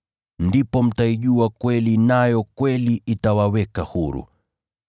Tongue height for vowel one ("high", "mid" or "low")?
high